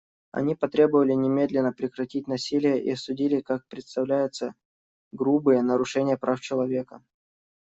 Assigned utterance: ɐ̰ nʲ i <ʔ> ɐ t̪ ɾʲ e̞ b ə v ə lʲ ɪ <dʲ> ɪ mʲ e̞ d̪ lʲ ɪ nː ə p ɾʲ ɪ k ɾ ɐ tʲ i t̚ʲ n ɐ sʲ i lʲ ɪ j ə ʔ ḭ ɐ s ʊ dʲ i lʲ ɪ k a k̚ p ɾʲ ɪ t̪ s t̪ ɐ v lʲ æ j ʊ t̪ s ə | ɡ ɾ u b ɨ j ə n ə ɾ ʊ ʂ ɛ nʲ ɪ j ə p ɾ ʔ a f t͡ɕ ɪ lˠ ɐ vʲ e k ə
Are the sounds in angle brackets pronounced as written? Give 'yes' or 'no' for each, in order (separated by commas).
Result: no, no